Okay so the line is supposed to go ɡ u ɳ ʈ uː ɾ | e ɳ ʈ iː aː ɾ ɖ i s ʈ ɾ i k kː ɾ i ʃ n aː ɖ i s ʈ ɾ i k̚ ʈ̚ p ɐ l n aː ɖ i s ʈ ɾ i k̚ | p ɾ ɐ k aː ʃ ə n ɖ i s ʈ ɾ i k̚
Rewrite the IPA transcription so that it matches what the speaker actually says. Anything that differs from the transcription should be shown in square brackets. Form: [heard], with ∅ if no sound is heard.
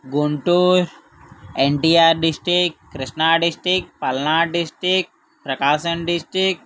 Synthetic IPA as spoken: ɡ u ɳ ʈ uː ɾ | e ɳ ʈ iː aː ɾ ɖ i s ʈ ɾ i k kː ɾ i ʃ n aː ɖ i s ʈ ɾ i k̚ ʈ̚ p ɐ l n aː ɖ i s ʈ ɾ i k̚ | p ɾ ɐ k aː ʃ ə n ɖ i s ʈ ɾ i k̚